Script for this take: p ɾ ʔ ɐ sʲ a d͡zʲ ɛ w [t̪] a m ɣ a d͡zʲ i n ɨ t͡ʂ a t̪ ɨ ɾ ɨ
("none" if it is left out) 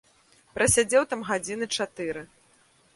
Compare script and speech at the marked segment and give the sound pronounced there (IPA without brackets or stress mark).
t̪